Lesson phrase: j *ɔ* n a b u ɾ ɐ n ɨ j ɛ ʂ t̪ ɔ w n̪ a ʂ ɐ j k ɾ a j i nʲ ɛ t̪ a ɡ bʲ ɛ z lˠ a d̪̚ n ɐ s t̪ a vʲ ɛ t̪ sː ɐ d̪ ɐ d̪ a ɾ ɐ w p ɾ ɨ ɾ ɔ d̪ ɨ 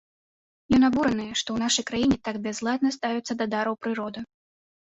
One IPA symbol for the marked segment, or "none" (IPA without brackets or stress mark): ɔ